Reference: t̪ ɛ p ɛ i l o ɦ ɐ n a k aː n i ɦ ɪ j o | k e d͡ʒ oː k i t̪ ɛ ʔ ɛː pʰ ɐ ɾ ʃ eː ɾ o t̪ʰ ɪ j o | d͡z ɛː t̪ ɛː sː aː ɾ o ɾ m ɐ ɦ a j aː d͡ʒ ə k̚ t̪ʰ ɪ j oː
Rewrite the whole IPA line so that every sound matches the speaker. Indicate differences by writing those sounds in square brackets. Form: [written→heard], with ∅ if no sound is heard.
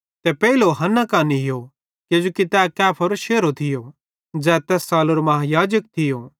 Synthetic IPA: t̪ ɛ p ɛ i l o ɦ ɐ n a k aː n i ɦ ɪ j o | k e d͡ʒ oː k i t̪ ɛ [ʔ→k] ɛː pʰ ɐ ɾ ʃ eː ɾ o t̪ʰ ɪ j o | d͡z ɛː t̪ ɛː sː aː [ɾ→l] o ɾ m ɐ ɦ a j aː d͡ʒ ə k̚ t̪ʰ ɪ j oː